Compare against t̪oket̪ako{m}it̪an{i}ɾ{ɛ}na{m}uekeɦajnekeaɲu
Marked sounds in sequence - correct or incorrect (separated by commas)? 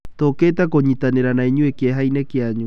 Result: incorrect, incorrect, incorrect, incorrect